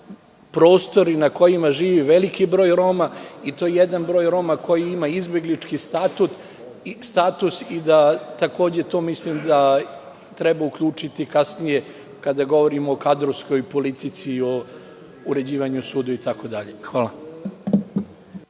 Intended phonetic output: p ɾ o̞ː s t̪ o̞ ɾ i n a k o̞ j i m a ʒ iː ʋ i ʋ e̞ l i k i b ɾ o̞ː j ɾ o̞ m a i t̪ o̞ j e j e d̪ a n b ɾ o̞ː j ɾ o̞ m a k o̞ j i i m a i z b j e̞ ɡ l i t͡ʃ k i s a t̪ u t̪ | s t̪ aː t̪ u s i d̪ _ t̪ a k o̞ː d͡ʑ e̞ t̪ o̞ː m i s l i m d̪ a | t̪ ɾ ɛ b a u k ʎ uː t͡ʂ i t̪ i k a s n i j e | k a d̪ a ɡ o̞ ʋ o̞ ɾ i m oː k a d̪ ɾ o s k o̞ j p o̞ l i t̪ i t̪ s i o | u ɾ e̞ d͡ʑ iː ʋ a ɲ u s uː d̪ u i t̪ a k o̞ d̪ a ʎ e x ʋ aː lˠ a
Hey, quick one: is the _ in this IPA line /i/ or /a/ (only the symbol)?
a